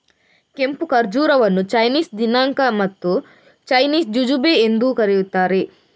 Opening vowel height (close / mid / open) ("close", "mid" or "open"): mid